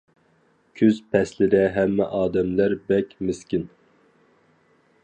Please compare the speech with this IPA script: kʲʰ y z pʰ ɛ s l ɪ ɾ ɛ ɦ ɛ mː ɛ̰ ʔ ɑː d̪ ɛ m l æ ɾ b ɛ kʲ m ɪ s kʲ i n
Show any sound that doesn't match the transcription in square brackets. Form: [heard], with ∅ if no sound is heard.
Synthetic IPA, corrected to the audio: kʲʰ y z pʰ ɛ s l ɪ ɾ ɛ ɦ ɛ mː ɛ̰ ʔ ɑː d̪ ɛ m l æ ɾ b ɛ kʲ m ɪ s kʲ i n

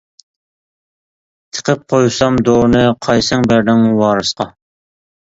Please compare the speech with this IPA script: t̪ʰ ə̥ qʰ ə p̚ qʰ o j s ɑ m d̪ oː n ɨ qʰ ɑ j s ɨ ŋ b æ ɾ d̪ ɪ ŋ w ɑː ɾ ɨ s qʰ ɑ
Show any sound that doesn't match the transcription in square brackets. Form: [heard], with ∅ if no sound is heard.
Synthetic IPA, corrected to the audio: t̪ʰ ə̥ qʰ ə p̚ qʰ o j s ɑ m d̪ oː n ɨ qʰ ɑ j s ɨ ŋ b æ ɾ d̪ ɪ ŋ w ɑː ɾ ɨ s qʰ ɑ

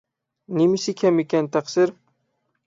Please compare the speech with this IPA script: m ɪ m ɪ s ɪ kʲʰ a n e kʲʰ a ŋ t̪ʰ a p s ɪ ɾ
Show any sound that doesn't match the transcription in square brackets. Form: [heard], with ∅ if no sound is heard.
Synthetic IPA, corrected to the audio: [n] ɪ m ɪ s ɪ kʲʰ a [m] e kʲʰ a [n] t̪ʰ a [q] s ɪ ɾ

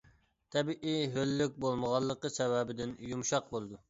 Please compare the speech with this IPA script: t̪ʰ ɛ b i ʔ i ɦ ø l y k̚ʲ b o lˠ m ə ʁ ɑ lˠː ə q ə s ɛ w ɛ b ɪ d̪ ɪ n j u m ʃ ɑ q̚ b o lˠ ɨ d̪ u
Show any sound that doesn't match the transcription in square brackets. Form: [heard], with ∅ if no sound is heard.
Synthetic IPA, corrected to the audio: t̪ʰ ɛ b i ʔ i ɦ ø [lː] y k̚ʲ b o lˠ m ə ʁ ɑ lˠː ə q ə s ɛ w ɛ b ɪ d̪ ɪ n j u m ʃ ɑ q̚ b o lˠ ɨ d̪ u

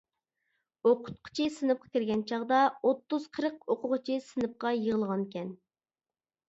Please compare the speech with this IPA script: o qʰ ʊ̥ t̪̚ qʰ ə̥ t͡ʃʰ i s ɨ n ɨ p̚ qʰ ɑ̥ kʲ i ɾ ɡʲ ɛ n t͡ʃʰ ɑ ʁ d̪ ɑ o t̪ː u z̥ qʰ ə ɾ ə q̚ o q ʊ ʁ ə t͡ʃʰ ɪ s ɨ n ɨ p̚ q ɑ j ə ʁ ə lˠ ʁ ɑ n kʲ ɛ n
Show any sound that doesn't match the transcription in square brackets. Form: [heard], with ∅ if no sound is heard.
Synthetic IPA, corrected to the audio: o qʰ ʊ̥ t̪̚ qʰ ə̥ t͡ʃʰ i s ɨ n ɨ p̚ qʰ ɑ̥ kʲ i ɾ ɡʲ ɛ n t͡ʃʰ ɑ ʁ d̪ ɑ o t̪ː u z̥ qʰ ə ɾ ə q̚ o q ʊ ʁ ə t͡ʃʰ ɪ s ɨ n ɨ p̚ q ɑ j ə ʁ ə lˠ ʁ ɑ n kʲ ɛ n

